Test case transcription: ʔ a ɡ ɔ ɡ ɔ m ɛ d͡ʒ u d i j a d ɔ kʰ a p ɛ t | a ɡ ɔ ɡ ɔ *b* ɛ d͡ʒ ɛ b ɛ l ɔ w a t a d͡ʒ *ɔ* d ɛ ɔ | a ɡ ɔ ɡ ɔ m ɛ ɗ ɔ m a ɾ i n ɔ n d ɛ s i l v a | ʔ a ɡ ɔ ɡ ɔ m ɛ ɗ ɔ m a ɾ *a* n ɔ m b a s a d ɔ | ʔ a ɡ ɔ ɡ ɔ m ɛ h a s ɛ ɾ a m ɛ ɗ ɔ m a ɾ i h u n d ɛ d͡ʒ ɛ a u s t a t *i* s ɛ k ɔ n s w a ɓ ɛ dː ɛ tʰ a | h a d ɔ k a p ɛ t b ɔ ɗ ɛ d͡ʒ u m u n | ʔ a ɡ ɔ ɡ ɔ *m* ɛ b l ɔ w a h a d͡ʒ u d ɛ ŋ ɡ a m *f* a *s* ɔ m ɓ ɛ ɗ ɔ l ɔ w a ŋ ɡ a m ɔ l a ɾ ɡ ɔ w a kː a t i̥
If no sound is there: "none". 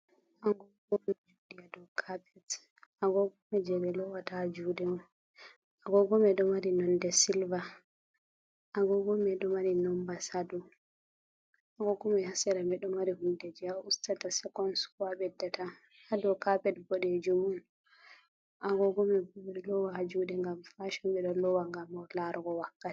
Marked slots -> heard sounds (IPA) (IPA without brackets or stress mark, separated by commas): m, u, i, a, m, f, ʃ